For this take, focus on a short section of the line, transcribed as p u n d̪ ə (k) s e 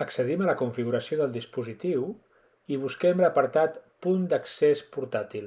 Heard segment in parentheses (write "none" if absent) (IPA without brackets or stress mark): k